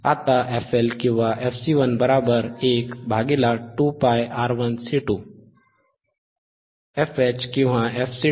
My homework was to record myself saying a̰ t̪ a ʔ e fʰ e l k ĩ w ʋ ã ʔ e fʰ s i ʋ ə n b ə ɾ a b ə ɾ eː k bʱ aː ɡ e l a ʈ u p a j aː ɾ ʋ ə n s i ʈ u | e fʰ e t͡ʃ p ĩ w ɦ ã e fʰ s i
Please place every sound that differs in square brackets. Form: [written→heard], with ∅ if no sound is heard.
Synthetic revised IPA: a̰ t̪ a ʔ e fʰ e l k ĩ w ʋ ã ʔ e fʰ s i ʋ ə n b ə ɾ a b ə ɾ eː k bʱ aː ɡ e l a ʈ u p a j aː ɾ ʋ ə n s i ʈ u | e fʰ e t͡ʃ [p→k] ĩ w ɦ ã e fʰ s i